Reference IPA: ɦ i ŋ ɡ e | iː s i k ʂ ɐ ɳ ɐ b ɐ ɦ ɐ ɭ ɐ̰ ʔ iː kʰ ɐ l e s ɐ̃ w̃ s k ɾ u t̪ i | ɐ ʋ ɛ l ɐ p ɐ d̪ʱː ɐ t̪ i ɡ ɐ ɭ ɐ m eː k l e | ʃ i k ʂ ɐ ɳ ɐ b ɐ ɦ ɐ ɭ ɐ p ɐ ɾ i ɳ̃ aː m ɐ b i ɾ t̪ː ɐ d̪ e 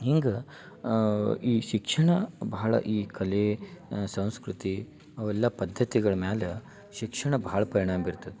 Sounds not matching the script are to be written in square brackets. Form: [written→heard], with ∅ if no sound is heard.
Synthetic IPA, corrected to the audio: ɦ i ŋ ɡ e | iː [s→ʃ] i k ʂ ɐ ɳ ɐ b ɐ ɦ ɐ ɭ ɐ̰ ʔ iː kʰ ɐ l e s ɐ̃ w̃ s k ɾ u t̪ i | ɐ ʋ ɛ [l→lː] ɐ p ɐ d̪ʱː ɐ t̪ i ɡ ɐ ɭ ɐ m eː [k→∅] l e | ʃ i k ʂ ɐ ɳ ɐ b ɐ ɦ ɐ ɭ ɐ p ɐ ɾ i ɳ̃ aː m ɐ b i ɾ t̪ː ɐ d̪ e